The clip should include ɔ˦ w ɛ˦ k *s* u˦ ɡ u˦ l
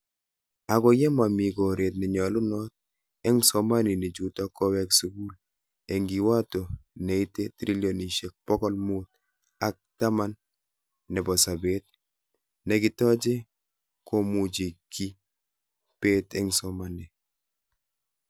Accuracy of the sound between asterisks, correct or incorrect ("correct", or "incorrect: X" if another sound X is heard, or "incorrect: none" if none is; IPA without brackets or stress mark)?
correct